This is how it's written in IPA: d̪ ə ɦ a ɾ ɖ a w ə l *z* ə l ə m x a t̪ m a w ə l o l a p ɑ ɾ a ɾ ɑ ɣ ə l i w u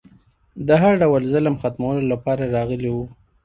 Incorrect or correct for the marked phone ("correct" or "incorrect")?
correct